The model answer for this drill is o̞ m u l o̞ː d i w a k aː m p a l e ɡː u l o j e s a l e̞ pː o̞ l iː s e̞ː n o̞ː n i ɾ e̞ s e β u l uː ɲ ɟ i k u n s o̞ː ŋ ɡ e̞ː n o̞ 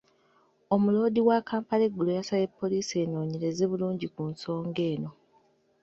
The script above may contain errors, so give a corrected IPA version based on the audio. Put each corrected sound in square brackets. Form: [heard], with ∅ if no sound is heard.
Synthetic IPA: o̞ m u l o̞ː d i w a k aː m p a l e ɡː u l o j [a] s a l e̞ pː o̞ l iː s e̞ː n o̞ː [ɲ] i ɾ e̞ [z] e β u l uː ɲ ɟ i k u n s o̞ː ŋ ɡ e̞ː n o̞

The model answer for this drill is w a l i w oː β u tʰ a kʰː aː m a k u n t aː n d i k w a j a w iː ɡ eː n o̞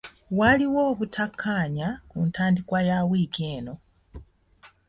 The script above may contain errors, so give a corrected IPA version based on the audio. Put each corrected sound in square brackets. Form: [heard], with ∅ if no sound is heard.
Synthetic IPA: w a l i w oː β u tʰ a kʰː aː [ɲ] a k u n t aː n d i k w a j a w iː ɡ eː n o̞

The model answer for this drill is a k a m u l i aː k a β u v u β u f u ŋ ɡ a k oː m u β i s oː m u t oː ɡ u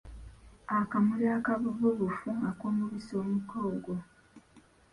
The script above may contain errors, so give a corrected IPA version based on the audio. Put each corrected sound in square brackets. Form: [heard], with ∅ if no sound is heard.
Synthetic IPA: a k a m u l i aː k a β u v u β u f u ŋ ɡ a k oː m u β i s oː m u [k] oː ɡ [o]

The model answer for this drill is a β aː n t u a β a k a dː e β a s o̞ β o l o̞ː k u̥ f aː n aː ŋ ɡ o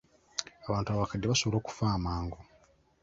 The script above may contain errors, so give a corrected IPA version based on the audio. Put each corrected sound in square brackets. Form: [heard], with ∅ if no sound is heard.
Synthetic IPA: a β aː n t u a β a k a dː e β a s o̞ β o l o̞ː k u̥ f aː [m] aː ŋ ɡ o

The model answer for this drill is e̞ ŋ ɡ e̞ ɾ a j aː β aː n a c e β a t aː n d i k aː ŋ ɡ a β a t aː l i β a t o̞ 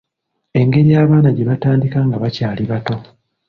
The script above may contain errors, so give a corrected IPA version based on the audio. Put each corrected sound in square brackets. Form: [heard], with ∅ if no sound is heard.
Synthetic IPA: e̞ ŋ ɡ e̞ ɾ [i] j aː β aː n a [ɟ] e β a t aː n d i k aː ŋ ɡ a β a [c] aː l i β a t o̞

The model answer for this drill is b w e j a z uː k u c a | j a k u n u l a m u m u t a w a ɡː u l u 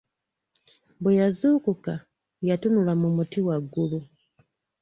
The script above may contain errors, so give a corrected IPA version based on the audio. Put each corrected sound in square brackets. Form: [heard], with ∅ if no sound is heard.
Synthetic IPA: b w e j a z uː k u [k] a | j a [t] u n u l a m u m u t [i] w a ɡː u l u

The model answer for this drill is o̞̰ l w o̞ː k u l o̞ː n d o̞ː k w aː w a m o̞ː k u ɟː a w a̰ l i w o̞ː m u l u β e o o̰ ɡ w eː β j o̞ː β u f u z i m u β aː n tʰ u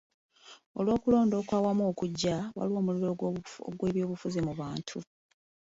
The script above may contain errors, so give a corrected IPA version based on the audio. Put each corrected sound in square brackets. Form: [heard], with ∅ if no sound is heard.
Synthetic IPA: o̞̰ l w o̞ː k u l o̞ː n d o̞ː k w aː w a m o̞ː k u ɟː a w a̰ l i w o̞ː m u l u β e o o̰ ɡ w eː β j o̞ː β u f u z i m u β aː n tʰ u

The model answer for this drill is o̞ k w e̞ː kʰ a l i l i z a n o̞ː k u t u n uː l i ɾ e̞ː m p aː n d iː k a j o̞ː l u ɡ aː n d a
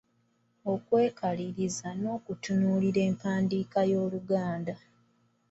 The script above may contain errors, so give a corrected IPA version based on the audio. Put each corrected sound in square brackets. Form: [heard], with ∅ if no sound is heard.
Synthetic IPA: o̞ k w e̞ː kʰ a l i [ɾ] i z a n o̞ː k u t u n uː l i ɾ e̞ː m p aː n d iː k a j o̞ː l u ɡ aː n d a

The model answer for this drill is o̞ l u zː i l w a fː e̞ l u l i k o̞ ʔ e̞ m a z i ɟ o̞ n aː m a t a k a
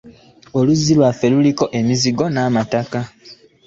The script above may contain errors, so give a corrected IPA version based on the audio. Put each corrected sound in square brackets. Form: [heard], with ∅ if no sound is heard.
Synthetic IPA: o̞ l u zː i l w a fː e̞ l u l i k o̞ ʔ e̞ m [i] z i [ɡ] o̞ n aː m a t a k a

